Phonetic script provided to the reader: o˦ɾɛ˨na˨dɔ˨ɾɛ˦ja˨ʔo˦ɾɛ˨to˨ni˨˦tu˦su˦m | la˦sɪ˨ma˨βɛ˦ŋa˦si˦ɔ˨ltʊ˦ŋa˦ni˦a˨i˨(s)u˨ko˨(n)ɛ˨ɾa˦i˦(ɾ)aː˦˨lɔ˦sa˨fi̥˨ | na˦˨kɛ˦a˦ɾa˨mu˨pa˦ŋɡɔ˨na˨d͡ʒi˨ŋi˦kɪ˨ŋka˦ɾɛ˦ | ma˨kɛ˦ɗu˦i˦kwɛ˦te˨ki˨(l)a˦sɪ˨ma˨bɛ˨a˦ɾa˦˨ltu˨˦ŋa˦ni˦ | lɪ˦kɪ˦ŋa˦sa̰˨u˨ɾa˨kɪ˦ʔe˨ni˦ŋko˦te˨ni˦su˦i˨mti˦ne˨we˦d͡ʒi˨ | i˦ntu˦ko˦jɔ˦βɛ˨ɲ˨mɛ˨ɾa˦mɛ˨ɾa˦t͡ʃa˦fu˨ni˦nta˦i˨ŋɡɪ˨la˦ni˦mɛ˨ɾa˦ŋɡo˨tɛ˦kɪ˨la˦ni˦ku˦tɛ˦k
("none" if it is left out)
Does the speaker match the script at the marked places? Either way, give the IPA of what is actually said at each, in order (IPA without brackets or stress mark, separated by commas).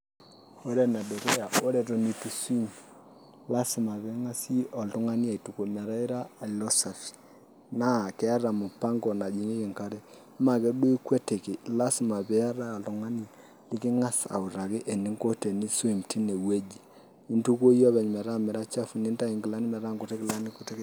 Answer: t, m, ɾ, l